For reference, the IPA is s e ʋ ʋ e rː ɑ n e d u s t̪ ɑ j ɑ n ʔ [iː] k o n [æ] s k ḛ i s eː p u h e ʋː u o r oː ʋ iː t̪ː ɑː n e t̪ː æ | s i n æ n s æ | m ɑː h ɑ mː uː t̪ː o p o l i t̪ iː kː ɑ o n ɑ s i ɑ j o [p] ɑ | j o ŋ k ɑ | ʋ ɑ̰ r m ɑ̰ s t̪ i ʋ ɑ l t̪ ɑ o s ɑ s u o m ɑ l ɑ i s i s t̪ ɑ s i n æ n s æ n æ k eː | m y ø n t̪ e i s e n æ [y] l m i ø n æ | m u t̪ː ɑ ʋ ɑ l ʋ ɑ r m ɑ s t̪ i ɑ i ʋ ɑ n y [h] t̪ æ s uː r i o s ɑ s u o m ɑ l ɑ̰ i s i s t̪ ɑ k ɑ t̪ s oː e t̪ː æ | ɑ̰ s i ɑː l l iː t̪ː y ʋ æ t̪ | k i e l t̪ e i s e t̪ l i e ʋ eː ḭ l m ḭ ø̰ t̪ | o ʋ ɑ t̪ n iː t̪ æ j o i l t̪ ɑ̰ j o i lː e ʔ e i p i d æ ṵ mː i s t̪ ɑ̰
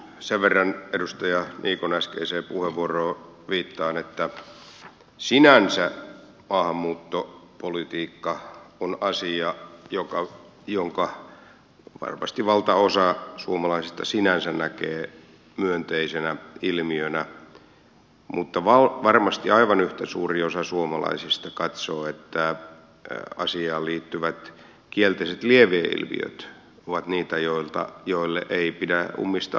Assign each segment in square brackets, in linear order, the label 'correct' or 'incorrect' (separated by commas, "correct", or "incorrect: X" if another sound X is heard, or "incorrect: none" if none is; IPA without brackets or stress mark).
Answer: correct, correct, incorrect: k, incorrect: i, correct